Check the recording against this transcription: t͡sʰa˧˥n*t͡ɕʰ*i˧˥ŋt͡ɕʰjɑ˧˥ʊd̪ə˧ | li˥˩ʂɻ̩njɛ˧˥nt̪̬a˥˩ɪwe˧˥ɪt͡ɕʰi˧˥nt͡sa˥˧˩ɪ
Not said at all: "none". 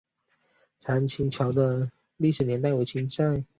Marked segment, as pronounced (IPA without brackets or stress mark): t͡ɕʰ